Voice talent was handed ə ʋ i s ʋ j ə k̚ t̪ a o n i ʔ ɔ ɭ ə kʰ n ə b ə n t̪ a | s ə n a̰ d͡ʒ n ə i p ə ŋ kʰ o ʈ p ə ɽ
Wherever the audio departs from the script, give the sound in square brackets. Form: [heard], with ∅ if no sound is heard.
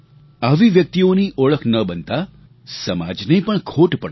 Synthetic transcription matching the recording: [a] ʋ i [∅] ʋ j ə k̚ t̪ [i] o n i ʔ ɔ ɭ ə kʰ n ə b ə n t̪ a | s ə [m] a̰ d͡ʒ n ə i p ə [ɳ] kʰ o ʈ p ə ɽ

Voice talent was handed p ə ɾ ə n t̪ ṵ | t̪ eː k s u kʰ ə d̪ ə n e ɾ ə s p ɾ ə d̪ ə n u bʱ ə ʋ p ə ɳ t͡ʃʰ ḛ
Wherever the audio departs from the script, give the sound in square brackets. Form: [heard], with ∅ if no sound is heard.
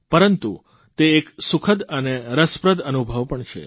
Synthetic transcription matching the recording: p ə ɾ ə n t̪ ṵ | t̪ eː k s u kʰ ə d̪ ə n e ɾ ə s p ɾ ə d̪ ə n u bʱ ə ʋ p ə ɳ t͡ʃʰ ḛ

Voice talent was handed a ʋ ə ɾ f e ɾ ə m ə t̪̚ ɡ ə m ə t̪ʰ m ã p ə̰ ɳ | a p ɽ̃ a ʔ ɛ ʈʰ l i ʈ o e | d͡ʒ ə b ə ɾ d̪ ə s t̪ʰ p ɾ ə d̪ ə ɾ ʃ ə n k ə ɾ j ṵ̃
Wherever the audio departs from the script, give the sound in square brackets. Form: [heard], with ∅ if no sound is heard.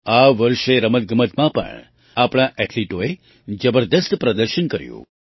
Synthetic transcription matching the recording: a ʋ ə ɾ [ʃ] e ɾ ə m ə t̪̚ ɡ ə m ə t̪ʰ m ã p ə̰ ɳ | a p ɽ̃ a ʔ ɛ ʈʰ l i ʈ o e | d͡ʒ ə b ə ɾ d̪ ə s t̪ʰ p ɾ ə d̪ ə ɾ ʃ ə n k ə ɾ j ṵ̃

